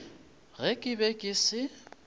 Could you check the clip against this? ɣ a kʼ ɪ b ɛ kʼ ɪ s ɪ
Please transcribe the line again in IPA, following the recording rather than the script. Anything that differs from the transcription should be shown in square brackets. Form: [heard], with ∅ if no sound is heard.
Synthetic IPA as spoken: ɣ [ɛ] kʼ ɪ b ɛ kʼ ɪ s ɪ